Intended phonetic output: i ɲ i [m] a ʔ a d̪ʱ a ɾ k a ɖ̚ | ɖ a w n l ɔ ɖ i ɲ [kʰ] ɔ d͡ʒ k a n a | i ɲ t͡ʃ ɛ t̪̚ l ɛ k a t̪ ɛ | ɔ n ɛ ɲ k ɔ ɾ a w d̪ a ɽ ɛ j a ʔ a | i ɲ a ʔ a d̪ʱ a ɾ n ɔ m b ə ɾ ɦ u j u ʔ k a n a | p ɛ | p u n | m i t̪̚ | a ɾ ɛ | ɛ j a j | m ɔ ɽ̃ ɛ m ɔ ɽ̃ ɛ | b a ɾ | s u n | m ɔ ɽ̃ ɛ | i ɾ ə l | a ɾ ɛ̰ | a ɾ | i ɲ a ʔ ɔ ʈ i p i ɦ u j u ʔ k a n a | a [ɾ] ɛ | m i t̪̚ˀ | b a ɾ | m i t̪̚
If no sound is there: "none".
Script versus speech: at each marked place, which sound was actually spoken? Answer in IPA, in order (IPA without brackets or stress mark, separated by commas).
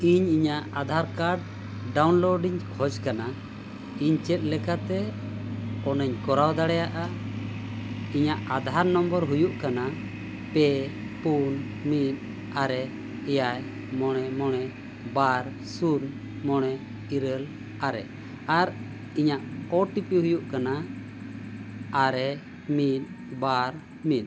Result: ɲ, kʰ, ɾ